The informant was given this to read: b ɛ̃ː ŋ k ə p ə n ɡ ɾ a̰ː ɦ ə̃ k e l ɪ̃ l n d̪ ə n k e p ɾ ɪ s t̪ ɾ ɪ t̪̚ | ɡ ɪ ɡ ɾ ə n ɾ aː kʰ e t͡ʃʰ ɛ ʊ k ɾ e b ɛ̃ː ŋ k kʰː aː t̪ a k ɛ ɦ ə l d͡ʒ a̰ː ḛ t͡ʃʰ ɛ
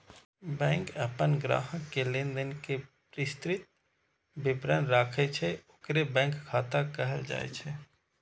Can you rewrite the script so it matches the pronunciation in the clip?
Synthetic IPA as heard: b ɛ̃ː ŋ k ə p ə n ɡ ɾ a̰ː ɦ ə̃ k e l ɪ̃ n d̪ ə n k e p ɾ ɪ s t̪ ɾ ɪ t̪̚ | b ɪ b ɾ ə n ɾ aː kʰ e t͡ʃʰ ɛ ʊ k ɾ e b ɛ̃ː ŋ k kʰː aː t̪ a k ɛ ɦ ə l d͡ʒ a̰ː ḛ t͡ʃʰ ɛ